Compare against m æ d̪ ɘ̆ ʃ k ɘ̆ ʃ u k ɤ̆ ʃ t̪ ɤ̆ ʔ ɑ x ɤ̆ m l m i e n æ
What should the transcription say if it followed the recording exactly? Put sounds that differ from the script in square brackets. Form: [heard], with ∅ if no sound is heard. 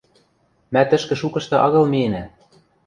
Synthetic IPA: m æ [t̪] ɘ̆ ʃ k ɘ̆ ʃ u k ɤ̆ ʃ t̪ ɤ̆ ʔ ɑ [ɣ] ɤ̆ [∅] l m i e n æ